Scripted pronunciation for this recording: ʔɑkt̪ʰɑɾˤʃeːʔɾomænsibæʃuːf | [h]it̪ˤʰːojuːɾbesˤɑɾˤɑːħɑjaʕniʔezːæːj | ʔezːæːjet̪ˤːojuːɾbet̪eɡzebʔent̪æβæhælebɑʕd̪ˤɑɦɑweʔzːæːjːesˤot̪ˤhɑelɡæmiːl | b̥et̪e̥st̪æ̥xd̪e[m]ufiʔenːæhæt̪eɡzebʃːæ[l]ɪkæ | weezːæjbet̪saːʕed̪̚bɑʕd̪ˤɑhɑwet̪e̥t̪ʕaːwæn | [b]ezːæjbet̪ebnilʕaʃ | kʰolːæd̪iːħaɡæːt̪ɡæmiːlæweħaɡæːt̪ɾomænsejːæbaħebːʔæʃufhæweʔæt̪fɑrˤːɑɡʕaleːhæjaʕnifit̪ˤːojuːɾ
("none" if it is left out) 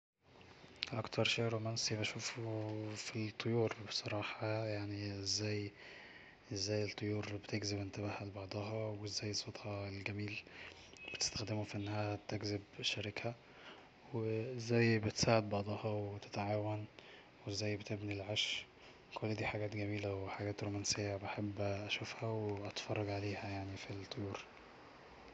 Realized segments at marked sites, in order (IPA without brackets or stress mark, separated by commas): f, m, ɾ, w